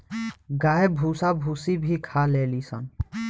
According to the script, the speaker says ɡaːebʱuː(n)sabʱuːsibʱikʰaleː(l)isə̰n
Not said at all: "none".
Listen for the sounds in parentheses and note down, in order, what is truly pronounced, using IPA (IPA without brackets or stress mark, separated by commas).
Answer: none, l